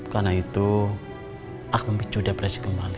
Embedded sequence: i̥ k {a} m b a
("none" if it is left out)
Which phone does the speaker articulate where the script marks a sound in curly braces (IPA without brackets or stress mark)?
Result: ə